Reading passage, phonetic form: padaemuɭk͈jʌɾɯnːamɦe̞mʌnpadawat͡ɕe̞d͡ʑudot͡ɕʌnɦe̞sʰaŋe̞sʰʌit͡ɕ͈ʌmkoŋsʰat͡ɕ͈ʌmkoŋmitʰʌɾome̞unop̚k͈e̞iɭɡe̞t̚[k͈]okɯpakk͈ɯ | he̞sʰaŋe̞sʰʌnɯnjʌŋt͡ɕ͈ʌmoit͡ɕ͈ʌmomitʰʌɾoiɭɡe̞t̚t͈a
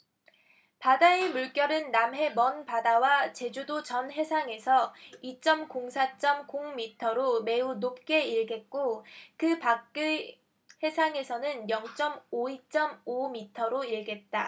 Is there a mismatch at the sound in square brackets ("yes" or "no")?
no